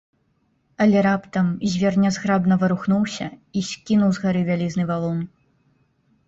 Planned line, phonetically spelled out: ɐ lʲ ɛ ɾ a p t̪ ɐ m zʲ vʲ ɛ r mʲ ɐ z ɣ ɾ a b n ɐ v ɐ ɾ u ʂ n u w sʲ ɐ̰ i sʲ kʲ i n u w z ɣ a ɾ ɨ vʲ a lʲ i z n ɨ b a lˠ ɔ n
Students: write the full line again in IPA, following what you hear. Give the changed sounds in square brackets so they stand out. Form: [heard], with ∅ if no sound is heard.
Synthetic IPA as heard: ɐ lʲ ɛ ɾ a p t̪ ɐ m zʲ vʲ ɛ r [nʲ] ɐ z ɣ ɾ a b n ɐ v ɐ ɾ u [x] n u w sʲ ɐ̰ i sʲ kʲ i n u w z ɣ a ɾ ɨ vʲ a lʲ i z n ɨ [v] a lˠ ɔ n